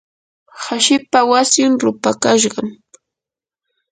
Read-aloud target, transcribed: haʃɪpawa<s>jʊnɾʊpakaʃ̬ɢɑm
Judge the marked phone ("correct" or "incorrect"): correct